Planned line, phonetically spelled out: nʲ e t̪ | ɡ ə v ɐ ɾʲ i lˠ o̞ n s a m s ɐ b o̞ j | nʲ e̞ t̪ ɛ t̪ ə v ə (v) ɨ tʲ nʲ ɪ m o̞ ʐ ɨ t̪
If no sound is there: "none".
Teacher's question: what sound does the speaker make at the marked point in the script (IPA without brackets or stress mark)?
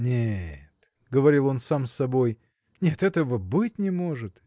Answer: b